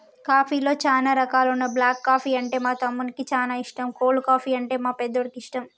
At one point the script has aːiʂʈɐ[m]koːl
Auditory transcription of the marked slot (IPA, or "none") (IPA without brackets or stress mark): m